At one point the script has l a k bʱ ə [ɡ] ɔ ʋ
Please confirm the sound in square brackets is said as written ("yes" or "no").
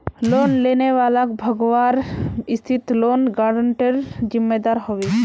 yes